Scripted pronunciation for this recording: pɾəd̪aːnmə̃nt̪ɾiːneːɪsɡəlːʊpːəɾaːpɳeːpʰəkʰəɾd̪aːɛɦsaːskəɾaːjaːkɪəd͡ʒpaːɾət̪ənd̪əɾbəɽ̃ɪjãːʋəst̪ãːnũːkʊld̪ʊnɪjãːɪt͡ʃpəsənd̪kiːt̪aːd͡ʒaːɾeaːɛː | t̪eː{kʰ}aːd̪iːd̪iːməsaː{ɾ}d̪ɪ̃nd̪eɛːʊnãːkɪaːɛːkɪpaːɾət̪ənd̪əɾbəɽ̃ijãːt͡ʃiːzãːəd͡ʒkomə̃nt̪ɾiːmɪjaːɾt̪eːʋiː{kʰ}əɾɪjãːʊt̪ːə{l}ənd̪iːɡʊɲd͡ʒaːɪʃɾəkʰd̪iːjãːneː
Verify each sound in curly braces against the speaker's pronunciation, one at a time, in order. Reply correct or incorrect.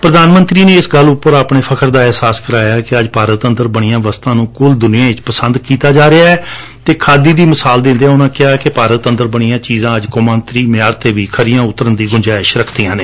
correct, incorrect, correct, incorrect

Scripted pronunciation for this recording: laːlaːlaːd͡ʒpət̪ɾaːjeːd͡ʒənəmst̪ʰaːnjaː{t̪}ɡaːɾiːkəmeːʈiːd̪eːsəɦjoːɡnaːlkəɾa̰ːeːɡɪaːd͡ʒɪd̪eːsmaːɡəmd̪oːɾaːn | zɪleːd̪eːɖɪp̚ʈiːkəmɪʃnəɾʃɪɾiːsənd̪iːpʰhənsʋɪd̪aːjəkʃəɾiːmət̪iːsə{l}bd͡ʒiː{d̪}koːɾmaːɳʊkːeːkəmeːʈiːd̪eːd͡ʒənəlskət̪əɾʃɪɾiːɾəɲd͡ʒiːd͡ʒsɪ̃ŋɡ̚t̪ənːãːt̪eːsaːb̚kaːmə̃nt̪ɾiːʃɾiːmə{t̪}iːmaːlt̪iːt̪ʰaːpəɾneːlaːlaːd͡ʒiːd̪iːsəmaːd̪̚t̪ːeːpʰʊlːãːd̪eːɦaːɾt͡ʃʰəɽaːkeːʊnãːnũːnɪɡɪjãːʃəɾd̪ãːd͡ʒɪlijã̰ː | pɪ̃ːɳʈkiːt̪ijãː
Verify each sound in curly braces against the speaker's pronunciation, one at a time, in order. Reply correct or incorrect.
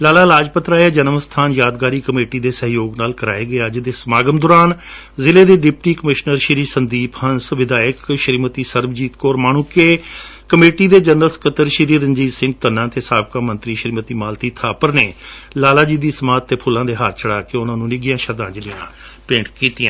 incorrect, incorrect, incorrect, correct

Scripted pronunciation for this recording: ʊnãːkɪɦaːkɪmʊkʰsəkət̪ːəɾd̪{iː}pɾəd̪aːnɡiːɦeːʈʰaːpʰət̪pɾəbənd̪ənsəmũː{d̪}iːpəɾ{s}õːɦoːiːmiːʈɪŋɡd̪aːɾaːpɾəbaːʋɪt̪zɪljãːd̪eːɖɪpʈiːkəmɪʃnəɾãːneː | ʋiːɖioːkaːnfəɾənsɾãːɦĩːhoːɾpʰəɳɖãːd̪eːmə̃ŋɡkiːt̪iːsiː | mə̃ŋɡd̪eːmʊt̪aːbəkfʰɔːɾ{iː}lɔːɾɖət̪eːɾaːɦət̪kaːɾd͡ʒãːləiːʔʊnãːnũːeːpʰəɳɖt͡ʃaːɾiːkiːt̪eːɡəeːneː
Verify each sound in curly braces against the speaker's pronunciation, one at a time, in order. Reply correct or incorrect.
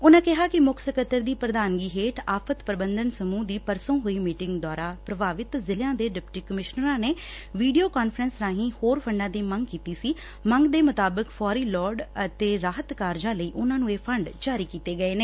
correct, correct, correct, correct

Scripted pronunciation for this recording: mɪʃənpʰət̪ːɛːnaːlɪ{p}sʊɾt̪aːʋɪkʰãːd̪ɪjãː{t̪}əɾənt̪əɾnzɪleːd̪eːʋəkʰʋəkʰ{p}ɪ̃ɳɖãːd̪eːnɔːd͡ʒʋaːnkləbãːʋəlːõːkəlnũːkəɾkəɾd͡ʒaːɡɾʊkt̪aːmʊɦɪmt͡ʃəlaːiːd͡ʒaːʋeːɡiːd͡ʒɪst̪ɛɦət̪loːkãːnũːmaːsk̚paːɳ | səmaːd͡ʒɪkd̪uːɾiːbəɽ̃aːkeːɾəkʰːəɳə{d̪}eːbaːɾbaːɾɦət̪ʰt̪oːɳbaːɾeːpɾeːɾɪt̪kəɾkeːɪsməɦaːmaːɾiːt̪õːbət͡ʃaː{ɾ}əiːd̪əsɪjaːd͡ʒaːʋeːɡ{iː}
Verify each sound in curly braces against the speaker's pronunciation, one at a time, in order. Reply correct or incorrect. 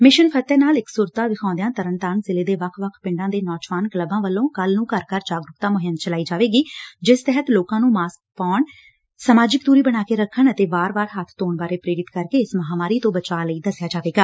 incorrect, correct, correct, incorrect, incorrect, incorrect

